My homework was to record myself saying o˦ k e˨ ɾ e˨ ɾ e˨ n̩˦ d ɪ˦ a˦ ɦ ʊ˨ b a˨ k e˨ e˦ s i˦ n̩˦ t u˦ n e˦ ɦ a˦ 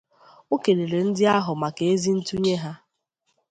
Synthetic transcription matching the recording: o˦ k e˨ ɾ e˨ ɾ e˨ n̩˦ d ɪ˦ a˦ ɦ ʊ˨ m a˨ k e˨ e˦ z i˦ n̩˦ t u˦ ɲ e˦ ɦ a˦